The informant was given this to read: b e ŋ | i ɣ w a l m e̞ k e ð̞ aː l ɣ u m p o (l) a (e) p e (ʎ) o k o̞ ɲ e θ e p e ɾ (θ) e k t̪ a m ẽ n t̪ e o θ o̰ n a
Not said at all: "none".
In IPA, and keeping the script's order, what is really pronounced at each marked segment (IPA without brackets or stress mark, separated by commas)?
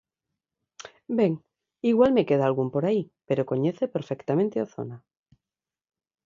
ɾ, i, ɾ, f